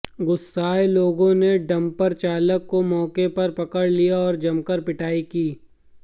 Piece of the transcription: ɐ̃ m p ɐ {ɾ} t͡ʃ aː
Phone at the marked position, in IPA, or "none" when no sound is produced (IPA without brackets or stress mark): ɾ